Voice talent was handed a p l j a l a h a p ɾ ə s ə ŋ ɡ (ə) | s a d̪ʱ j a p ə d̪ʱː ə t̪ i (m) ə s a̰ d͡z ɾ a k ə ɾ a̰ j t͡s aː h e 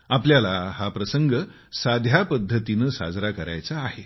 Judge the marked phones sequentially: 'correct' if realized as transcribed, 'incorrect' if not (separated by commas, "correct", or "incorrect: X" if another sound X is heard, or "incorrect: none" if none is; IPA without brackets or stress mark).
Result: correct, incorrect: n